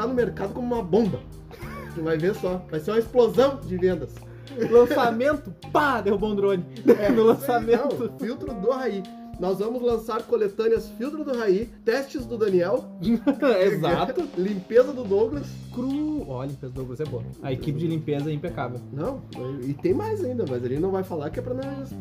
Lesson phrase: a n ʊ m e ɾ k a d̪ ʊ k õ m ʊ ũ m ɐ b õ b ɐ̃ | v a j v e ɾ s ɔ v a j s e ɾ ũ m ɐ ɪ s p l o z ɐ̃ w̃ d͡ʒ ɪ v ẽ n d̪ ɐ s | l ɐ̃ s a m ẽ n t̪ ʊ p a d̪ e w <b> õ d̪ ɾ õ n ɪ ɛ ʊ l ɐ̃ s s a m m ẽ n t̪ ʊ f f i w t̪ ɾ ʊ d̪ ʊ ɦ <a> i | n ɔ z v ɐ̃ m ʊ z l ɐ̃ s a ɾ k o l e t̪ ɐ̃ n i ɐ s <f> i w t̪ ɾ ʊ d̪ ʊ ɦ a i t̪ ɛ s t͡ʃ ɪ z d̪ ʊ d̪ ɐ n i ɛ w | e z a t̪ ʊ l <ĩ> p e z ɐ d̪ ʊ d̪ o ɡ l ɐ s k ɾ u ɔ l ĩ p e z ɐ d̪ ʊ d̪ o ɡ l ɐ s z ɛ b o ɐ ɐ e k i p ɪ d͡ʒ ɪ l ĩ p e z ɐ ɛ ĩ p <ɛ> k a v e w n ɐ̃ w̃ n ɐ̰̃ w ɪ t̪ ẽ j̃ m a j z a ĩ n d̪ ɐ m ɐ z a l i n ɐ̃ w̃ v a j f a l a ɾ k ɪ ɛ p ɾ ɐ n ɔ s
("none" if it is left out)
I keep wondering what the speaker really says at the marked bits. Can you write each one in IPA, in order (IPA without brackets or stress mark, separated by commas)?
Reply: b, a, f, ĩ, e